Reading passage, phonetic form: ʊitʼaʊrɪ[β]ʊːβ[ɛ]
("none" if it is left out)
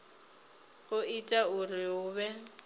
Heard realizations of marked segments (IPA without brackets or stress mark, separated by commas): none, ɛ